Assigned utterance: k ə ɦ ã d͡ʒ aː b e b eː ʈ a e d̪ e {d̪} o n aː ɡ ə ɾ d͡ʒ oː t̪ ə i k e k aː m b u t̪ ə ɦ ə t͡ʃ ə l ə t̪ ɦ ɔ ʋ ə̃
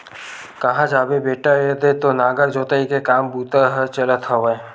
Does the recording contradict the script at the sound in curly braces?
yes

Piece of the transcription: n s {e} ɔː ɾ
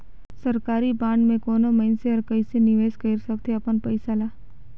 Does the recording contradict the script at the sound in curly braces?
no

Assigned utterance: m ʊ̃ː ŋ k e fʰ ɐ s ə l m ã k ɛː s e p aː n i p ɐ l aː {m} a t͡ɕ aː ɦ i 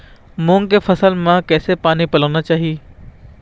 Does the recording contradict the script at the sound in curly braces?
yes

